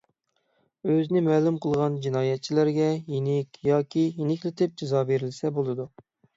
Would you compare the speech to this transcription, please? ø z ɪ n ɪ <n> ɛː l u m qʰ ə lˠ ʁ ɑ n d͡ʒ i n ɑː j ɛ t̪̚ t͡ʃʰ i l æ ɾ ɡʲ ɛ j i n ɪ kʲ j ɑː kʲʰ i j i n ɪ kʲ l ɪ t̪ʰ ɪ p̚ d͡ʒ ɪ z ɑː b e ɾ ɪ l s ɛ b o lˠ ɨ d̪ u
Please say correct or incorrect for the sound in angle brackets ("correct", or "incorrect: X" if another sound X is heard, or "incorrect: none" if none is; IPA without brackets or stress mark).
incorrect: m